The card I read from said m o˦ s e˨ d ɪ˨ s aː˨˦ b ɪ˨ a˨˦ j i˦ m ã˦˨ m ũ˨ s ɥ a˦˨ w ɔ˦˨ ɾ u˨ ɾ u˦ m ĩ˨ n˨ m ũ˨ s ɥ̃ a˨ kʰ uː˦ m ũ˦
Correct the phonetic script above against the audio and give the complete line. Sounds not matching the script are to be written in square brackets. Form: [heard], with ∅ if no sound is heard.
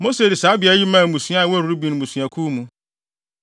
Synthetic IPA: m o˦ s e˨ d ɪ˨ s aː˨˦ b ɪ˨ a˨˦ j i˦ m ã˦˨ m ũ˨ s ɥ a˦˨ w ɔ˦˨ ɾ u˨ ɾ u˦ [b] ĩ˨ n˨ m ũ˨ s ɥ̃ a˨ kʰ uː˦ m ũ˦